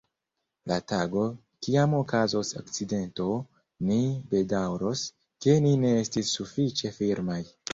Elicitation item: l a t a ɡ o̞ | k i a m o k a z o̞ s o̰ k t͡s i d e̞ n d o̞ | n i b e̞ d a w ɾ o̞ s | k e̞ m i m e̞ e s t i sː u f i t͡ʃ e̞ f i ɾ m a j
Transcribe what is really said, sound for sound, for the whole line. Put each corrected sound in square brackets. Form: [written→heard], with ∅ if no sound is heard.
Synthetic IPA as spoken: l a t a ɡ o̞ | k i a m o k a z o̞ s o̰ k t͡s i d e̞ n [d→t] o̞ | n i b e̞ d a w ɾ o̞ s | k e̞ [m→n] i [m→n] e̞ e s t i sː u f i t͡ʃ e̞ f i ɾ m a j